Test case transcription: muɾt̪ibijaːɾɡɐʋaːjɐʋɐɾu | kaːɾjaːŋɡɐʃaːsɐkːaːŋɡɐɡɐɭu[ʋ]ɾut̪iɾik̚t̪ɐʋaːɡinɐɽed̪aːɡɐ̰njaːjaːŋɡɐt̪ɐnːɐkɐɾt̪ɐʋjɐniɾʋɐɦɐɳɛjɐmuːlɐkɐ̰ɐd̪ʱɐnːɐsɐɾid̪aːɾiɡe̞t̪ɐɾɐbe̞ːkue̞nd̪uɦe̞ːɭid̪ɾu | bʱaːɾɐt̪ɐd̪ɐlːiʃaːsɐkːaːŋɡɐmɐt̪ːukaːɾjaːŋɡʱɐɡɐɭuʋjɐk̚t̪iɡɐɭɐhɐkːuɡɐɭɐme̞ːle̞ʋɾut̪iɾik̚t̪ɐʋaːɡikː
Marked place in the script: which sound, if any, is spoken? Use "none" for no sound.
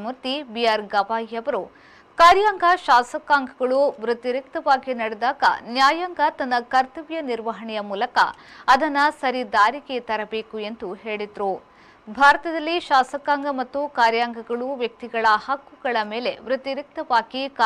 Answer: ʋ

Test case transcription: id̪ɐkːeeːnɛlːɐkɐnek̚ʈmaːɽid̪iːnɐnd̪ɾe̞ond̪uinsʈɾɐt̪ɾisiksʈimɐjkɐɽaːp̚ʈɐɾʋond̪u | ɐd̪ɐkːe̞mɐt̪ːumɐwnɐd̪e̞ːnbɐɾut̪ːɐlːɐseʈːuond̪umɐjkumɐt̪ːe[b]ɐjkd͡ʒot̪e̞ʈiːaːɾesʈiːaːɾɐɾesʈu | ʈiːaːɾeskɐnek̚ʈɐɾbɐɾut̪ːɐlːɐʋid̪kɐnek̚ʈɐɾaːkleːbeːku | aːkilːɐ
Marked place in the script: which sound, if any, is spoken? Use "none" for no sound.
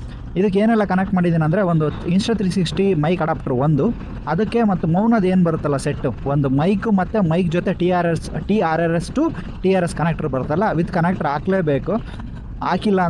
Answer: m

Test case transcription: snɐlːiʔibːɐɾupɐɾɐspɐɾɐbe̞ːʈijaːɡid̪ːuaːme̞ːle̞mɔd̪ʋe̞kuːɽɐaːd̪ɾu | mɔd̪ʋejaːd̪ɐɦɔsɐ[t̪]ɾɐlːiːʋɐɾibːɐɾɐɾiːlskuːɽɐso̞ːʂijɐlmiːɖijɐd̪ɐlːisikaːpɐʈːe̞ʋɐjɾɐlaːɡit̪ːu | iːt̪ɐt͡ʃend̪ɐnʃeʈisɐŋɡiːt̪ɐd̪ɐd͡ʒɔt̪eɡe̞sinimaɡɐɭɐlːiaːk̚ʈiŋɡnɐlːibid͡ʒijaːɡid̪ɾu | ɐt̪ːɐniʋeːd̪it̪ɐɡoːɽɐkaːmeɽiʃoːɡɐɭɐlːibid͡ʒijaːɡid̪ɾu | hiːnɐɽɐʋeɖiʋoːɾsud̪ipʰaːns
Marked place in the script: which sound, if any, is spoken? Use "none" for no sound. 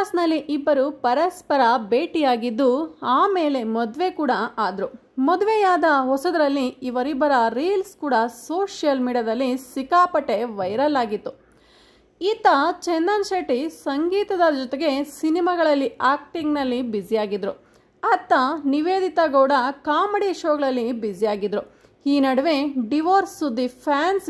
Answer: d̪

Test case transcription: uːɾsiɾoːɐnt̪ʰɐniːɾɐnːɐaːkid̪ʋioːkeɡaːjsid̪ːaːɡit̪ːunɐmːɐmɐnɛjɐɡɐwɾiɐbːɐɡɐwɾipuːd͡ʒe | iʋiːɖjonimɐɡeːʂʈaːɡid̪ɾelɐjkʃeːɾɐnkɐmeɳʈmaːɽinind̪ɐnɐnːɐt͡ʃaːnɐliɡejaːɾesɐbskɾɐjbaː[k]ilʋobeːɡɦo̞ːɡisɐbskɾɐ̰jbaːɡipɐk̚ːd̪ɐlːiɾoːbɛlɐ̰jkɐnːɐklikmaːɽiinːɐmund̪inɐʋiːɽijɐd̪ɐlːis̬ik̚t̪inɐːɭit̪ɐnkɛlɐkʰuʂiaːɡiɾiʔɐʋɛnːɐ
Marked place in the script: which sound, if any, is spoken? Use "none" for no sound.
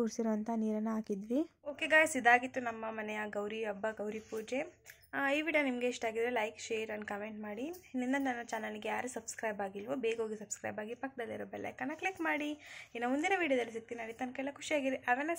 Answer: ɡ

